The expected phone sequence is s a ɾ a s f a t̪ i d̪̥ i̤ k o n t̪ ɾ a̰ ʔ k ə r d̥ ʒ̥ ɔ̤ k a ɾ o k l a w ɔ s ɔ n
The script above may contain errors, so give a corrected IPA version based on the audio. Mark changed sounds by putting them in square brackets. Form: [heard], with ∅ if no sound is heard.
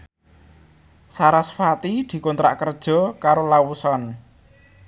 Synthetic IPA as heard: s a ɾ a s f a t̪ i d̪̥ i̤ k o n t̪ ɾ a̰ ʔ k ə r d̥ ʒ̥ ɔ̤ k a ɾ o [∅] l a w [u] s ɔ n